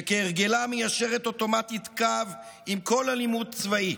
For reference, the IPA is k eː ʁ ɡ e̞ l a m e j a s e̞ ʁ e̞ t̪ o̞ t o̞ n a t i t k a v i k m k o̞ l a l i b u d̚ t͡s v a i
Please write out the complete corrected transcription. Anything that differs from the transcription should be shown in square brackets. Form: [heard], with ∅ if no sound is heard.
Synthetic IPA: k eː ʁ ɡ e̞ l a m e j a [ʃ] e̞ ʁ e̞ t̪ o̞ t o̞ [m] a t i t k a v i [∅] m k o̞ l a l i [m] u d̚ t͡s v a i